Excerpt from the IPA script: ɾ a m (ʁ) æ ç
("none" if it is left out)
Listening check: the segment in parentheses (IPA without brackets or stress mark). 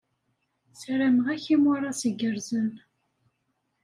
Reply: ʁ